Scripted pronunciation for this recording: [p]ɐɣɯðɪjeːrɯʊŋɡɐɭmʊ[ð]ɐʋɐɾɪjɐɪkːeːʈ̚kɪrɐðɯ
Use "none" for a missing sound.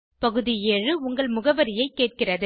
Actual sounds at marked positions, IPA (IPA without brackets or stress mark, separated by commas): p, ɣ